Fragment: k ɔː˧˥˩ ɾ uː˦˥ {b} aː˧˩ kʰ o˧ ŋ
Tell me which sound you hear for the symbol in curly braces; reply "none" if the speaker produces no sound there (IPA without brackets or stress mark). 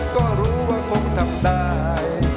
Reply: w